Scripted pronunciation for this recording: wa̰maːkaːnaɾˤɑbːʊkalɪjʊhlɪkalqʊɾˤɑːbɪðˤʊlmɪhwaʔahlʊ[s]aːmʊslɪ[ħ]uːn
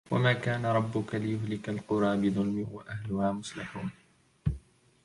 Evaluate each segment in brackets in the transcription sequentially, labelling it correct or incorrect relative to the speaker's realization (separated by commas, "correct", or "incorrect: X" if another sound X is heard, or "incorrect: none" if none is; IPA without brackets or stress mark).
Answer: incorrect: h, correct